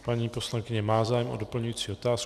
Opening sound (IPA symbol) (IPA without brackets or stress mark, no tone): p